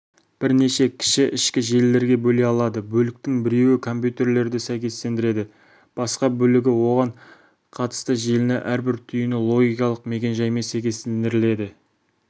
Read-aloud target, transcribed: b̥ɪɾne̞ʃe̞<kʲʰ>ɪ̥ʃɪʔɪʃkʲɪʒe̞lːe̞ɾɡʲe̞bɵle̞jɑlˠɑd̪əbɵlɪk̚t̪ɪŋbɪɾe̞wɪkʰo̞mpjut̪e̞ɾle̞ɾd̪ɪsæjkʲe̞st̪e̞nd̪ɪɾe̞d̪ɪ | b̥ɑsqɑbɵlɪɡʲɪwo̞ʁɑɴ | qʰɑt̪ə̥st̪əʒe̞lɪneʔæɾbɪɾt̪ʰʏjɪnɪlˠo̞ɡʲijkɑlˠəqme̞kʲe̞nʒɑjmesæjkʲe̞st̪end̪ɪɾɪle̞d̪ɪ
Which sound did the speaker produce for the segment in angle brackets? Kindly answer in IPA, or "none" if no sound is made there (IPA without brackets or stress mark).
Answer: kʲʰ